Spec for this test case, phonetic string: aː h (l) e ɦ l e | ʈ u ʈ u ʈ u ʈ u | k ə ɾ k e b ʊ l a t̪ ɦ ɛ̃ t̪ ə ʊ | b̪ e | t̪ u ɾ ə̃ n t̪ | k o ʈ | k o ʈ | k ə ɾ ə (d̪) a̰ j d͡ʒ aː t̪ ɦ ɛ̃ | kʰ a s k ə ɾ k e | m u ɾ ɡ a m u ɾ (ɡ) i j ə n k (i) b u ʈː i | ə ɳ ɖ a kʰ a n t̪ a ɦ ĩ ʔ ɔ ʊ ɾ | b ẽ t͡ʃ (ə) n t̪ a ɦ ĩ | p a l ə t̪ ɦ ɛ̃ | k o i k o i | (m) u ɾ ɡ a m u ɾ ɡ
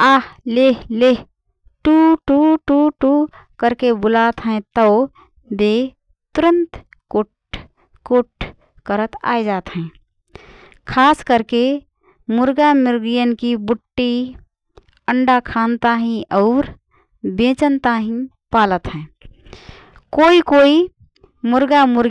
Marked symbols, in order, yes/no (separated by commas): yes, no, yes, yes, yes, yes